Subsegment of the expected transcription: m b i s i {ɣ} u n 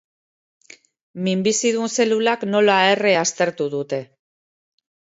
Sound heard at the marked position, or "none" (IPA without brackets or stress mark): ð